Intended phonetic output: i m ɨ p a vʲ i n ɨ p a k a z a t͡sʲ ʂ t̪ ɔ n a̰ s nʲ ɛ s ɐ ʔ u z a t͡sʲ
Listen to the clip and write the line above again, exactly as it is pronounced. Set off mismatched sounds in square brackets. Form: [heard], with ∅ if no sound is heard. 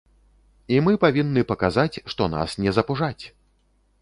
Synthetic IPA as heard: i m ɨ p a vʲ i [nː] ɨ p [ɐ] k a z a t͡sʲ ʂ t̪ ɔ n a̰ s nʲ ɛ [z] ɐ [p] u [ʐ] a t͡sʲ